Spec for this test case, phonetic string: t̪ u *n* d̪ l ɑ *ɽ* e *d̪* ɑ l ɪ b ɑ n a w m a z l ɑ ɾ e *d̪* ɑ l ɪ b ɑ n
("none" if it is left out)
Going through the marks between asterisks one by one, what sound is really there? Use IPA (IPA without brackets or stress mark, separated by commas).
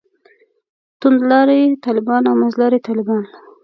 n, ɾ, t̪, t̪